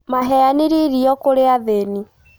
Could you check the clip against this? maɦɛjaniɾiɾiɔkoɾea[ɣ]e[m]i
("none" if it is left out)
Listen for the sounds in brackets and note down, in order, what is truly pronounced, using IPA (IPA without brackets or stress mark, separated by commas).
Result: ð, n